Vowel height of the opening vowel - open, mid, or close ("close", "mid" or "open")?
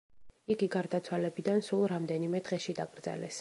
close